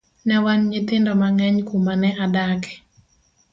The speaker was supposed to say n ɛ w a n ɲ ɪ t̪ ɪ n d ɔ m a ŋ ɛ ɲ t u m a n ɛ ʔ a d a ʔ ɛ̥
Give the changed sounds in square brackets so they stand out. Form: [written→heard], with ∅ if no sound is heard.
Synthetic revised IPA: n ɛ w a n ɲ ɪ t̪ ɪ n d ɔ m a ŋ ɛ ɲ [t→k] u m a n ɛ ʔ a d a [ʔ→k] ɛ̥